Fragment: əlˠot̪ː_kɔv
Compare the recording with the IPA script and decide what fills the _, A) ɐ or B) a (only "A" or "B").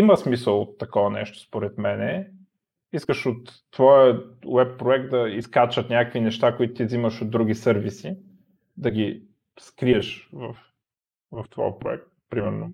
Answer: A